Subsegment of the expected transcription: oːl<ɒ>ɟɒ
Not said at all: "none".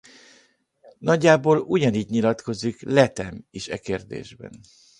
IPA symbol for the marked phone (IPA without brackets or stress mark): u